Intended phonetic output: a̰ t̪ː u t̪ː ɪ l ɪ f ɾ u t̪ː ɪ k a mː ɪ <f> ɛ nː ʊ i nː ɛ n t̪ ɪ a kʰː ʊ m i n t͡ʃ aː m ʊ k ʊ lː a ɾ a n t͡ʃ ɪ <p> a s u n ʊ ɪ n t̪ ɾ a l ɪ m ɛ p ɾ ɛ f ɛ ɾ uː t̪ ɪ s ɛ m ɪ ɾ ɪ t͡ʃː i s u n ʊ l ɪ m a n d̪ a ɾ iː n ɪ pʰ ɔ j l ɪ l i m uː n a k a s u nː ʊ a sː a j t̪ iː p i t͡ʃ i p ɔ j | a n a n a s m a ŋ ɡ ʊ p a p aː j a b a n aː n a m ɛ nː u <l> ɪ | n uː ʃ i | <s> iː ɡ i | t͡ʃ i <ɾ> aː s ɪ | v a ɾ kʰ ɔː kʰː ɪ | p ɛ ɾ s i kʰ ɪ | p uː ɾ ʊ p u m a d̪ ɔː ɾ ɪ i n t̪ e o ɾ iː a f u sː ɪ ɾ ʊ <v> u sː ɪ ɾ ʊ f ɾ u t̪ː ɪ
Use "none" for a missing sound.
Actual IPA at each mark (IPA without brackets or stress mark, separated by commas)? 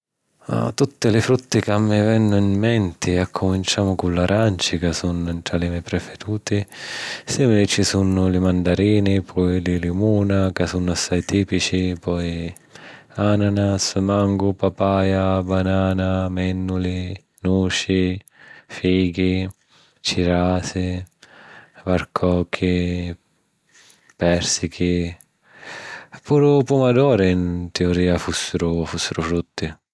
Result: v, k, l, f, ɾ, f